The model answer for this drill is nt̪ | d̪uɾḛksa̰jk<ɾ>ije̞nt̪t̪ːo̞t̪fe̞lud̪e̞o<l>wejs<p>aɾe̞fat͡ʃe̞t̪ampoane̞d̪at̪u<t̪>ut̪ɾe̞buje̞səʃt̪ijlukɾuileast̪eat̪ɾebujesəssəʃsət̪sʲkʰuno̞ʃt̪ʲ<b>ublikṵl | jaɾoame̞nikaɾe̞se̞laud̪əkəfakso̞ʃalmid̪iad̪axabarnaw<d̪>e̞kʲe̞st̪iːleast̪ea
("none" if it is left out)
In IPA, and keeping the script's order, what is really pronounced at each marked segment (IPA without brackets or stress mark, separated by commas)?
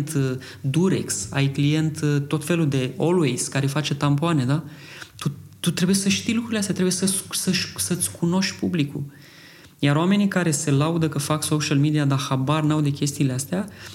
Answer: l, l, k, t̪, p, d̪